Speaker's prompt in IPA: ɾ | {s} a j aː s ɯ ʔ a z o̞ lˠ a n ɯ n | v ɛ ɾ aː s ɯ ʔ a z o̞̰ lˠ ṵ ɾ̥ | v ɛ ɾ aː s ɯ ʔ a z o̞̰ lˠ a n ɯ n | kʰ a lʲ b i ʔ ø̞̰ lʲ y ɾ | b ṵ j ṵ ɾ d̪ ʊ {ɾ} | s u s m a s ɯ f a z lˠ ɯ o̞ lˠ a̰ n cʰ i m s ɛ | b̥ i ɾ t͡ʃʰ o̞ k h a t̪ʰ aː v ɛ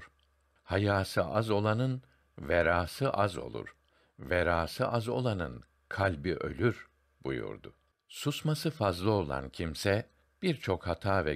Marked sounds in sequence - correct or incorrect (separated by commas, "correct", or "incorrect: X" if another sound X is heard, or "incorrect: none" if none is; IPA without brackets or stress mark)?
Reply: incorrect: h, incorrect: none